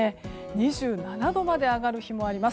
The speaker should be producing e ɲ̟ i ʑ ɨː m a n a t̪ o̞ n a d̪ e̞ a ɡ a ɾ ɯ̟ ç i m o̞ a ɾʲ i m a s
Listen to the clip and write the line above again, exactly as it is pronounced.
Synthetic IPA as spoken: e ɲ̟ i ʑ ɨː n a n a d̪ o̞ m a d̪ e̞ a ɡ a ɾ ɯ̟ ç i m o̞ a ɾʲ i m a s